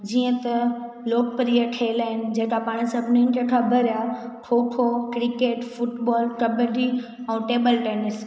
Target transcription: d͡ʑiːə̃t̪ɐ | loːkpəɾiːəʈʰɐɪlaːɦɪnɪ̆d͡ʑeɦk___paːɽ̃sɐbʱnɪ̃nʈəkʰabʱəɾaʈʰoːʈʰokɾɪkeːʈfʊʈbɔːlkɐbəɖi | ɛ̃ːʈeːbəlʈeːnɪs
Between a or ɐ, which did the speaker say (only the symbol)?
a